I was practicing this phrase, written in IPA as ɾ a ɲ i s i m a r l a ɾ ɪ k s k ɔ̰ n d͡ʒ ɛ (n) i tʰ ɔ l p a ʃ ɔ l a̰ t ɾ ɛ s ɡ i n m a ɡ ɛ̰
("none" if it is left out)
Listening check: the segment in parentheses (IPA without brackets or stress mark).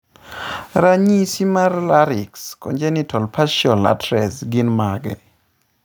n